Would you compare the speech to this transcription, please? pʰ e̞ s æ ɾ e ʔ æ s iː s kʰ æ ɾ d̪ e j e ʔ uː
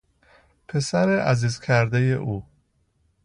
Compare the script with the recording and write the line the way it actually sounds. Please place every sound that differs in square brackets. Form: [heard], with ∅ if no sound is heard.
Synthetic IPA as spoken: pʰ e̞ s æ ɾ e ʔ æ [z] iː [z] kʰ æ ɾ d̪ e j e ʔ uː

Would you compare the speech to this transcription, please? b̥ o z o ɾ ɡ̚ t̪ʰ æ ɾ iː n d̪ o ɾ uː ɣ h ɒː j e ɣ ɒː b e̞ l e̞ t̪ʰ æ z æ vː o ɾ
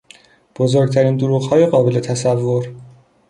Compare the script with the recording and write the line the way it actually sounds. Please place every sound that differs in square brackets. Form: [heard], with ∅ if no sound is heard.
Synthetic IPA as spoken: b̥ o z o ɾ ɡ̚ t̪ʰ æ ɾ iː n d̪ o ɾ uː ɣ h ɒː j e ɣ ɒː b e̞ l e̞ t̪ʰ æ [s] æ vː o ɾ

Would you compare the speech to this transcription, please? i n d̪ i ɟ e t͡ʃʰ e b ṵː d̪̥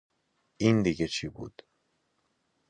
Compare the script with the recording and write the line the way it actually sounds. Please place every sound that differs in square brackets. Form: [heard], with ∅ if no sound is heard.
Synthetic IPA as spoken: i n d̪ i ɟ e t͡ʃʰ [i] b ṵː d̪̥

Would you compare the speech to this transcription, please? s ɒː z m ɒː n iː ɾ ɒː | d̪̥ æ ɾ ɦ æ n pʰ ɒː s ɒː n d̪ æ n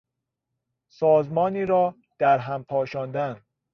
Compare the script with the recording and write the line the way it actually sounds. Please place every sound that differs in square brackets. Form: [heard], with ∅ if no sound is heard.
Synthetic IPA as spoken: s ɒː z m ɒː n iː ɾ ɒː | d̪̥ æ ɾ ɦ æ [m] pʰ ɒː [ʃ] ɒː n d̪ æ n

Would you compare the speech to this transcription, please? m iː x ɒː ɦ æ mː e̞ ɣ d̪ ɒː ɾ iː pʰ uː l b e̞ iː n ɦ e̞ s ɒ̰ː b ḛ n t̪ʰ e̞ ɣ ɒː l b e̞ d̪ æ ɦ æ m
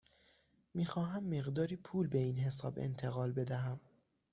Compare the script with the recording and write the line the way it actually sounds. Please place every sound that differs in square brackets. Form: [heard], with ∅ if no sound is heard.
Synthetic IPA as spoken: m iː x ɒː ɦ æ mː e̞ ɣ d̪ ɒː ɾ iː pʰ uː l b e̞ iː n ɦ e̞ s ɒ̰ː b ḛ n t̪ʰ e̞ ɣ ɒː l b e̞ d̪ æ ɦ æ m

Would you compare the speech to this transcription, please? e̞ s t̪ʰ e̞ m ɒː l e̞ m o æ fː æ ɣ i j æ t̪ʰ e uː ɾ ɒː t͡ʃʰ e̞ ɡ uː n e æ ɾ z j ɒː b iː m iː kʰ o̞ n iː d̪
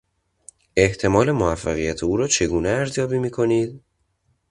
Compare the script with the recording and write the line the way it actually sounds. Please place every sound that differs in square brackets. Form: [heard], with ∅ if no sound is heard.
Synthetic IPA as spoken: e̞ [h] t̪ʰ e̞ m ɒː l e̞ m o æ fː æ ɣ i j æ t̪ʰ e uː ɾ ɒː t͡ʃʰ e̞ ɡ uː n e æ ɾ z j ɒː b iː m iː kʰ o̞ n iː d̪

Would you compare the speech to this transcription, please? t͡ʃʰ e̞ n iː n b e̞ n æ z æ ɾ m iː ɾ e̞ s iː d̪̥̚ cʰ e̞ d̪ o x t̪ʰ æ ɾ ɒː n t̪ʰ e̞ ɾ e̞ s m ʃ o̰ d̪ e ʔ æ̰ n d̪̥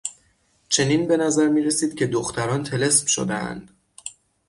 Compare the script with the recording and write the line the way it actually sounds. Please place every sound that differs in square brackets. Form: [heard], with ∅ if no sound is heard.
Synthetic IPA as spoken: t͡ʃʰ e̞ n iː n b e̞ n æ z æ ɾ m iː ɾ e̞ s iː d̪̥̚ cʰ e̞ d̪ o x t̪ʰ æ ɾ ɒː n t̪ʰ e̞ [l] e̞ s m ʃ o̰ d̪ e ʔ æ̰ n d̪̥

